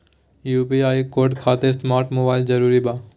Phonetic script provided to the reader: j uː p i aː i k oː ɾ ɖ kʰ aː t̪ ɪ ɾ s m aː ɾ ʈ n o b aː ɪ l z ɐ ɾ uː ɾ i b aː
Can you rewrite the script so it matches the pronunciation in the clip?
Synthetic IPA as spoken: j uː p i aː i k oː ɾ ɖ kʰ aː t̪ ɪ ɾ s m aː ɾ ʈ m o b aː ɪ l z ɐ ɾ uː ɾ i b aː